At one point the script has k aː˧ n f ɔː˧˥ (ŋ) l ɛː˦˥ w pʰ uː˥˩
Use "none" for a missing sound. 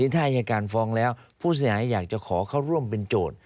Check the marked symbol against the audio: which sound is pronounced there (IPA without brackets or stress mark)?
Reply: ŋ